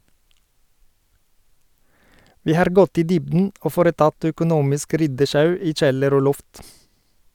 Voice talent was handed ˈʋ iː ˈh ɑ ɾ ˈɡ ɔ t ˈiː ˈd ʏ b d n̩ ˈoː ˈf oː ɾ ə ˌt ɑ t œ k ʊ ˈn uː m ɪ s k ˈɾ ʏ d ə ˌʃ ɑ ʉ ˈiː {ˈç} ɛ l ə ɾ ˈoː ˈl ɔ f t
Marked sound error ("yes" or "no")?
yes